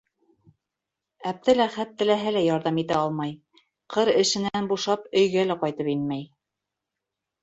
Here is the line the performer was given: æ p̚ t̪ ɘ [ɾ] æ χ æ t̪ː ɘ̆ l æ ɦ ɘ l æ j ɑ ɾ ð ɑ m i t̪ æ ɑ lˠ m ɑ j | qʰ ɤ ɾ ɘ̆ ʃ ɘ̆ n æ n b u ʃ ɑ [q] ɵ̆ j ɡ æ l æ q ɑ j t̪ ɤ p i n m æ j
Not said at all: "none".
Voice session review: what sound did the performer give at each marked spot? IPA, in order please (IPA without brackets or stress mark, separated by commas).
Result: l, p